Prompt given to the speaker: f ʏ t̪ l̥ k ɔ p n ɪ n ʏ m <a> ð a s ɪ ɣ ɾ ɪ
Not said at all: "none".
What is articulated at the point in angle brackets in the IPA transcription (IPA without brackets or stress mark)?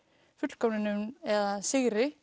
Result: ɛ